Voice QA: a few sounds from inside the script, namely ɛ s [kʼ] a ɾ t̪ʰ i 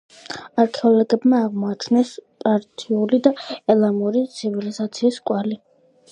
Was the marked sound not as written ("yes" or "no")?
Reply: yes